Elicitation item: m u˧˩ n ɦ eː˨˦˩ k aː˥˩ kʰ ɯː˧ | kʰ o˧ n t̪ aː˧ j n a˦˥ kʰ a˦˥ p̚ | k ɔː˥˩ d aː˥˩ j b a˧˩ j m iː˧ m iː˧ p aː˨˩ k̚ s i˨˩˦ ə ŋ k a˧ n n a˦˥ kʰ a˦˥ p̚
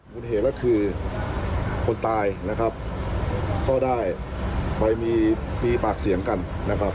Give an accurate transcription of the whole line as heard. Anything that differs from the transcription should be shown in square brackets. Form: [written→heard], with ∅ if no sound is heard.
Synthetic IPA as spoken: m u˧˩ n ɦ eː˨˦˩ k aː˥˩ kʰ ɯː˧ | kʰ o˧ n t̪ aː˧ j n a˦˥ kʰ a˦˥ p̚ | k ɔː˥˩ d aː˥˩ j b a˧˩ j m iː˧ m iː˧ p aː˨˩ k̚ s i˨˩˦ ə ŋ k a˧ n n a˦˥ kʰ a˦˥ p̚